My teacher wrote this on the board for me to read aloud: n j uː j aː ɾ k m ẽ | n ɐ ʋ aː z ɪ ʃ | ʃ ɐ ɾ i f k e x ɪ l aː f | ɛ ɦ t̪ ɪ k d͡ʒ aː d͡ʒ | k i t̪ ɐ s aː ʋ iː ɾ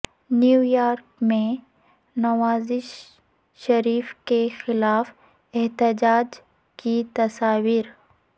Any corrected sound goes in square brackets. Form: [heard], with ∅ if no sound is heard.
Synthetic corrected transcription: n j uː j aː ɾ k m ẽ | n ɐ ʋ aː z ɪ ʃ | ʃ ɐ ɾ [iː] f k e x ɪ l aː f | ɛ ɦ t̪ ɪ [∅] d͡ʒ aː d͡ʒ | k i t̪ ɐ s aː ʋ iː ɾ

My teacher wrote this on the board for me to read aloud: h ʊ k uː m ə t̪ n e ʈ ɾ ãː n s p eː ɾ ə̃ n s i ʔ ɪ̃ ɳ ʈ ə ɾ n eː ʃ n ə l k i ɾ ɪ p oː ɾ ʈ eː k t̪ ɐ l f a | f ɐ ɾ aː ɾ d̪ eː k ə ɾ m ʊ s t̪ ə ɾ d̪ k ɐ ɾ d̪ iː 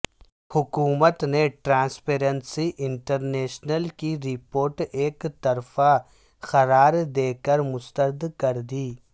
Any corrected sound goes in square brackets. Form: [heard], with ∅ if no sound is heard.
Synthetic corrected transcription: h ʊ k uː m ə t̪ n e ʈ ɾ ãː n s p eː ɾ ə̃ n s i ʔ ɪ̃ ɳ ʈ ə ɾ n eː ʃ n ə l k i ɾ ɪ p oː ɾ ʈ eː k t̪ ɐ [ɾ] f a | [x] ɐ ɾ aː ɾ d̪ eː k ə ɾ m ʊ s t̪ ə ɾ d̪ k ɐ ɾ d̪ iː

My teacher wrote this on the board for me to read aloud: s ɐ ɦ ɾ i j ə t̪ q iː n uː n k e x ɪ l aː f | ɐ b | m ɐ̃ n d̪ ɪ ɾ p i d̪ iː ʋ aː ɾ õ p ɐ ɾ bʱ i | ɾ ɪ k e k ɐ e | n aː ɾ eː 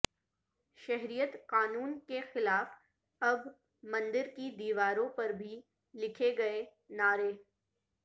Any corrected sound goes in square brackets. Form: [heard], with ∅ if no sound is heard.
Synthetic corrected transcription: [ʃ] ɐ ɦ ɾ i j ə t̪ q [aː] n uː n k e x ɪ l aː f | ɐ b | m ɐ̃ n d̪ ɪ ɾ [k] i d̪ iː ʋ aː ɾ õ p ɐ ɾ bʱ i | [l] ɪ [kʰ] e [ɡ] ɐ e | n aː ɾ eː

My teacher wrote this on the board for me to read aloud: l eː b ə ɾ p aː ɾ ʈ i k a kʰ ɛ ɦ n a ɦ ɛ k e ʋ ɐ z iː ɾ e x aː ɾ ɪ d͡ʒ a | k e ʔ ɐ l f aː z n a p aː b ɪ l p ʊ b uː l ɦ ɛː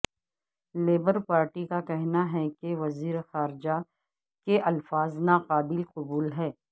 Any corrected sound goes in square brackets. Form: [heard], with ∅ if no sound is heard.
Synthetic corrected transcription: l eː b ə ɾ p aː ɾ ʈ i k a [k] ɛ ɦ n a ɦ ɛ k e ʋ ɐ z iː ɾ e x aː ɾ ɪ d͡ʒ a | k e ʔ ɐ l f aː z n a [q] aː b ɪ l [q] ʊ b uː l ɦ ɛː

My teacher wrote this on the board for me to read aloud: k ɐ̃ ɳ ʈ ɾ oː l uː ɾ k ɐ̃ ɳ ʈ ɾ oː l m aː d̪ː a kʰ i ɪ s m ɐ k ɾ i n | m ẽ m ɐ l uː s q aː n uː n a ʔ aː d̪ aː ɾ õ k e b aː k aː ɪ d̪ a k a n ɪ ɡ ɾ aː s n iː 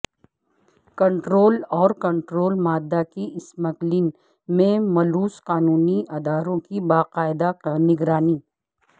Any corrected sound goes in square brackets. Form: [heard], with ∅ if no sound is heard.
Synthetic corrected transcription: k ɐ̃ ɳ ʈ ɾ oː l [ɔː] ɾ k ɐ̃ ɳ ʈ ɾ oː l m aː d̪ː a [k] i ɪ s m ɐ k [l] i n | m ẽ m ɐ l uː s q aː n uː n [i] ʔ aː d̪ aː ɾ õ k [i] b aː [q] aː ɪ d̪ a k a n ɪ ɡ ɾ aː [∅] n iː

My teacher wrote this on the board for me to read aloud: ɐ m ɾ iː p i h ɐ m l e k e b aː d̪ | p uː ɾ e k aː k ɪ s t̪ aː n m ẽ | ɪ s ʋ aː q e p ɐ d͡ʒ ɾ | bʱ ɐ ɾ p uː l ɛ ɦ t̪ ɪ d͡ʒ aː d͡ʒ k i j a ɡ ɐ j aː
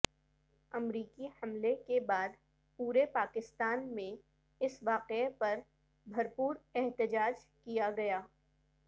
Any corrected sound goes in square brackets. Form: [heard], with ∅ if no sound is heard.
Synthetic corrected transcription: ɐ m ɾ iː [k] i h ɐ m l e k e b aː d̪ | p uː ɾ e [p] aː k ɪ s t̪ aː n m ẽ | ɪ s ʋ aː q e p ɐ [∅] ɾ | bʱ ɐ ɾ p uː [ɾ] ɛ ɦ t̪ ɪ d͡ʒ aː d͡ʒ k i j a ɡ ɐ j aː

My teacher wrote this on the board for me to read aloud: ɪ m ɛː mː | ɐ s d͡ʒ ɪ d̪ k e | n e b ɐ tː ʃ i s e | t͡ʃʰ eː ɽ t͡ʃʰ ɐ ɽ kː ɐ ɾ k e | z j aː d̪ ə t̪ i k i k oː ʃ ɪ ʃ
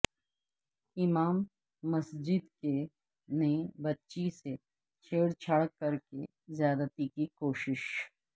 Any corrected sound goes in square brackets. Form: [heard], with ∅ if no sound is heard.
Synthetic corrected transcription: ɪ m [aː] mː | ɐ s d͡ʒ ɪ d̪ k e | n e b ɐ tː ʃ i s e | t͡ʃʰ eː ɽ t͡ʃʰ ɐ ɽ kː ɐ ɾ k e | z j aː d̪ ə t̪ i k i k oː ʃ ɪ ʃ

